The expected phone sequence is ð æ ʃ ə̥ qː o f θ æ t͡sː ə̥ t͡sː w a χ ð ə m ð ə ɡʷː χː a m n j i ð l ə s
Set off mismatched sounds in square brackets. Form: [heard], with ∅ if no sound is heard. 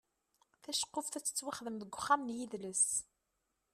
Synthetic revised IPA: [θ] æ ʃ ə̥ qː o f θ æ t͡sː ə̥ t͡sː w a χ ð ə m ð ə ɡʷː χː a m n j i ð l ə s